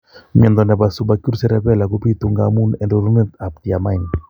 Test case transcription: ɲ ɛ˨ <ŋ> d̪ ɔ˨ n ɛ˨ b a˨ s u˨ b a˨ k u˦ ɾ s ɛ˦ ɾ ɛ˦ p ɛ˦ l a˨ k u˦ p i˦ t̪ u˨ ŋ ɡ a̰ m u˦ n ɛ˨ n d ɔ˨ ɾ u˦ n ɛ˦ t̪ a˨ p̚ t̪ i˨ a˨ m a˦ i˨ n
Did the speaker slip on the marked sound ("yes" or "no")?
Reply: yes